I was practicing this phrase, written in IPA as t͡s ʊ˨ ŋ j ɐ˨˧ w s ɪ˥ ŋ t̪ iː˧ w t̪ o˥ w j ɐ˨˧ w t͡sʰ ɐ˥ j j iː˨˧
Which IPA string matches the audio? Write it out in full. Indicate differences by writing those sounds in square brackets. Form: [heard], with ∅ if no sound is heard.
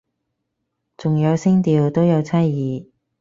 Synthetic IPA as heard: t͡s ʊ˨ ŋ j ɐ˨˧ w s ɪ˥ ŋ t̪ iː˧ w t̪ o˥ w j ɐ˨˧ w t͡sʰ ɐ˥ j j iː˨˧